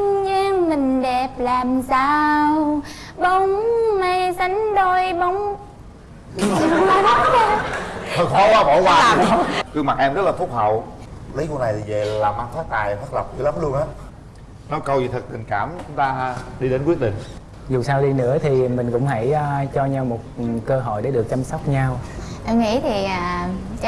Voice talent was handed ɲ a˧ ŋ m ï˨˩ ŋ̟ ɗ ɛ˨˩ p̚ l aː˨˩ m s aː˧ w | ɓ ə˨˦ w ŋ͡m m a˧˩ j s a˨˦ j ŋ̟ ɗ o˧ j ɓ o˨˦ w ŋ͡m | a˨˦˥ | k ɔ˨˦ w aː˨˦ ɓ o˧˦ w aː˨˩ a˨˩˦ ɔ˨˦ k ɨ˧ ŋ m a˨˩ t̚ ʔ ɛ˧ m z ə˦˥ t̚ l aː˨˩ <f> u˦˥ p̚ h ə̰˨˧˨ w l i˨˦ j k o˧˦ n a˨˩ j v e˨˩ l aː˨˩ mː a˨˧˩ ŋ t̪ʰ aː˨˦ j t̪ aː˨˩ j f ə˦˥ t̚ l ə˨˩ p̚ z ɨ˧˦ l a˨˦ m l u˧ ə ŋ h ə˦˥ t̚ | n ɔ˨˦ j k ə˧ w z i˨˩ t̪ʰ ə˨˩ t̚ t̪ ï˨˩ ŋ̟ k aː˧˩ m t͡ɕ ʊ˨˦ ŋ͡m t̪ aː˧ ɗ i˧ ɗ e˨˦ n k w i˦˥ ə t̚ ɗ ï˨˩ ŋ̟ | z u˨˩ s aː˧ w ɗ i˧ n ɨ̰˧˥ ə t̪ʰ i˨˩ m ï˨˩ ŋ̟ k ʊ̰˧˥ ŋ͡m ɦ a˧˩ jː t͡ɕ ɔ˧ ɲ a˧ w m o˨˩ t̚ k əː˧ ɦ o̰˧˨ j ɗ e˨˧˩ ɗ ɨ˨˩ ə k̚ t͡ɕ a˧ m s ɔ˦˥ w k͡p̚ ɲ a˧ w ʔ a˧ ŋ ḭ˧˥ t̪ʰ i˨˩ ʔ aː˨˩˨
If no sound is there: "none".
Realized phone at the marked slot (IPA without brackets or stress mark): f